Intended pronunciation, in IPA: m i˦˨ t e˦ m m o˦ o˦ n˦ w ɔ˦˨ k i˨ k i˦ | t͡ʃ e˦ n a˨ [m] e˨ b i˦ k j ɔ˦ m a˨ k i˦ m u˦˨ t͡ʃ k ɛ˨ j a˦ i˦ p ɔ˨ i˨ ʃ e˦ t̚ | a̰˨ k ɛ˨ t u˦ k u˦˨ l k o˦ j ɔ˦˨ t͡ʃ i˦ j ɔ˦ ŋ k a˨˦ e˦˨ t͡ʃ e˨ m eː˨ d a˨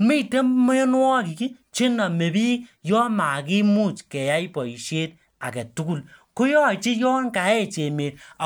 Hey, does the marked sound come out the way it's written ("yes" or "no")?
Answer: yes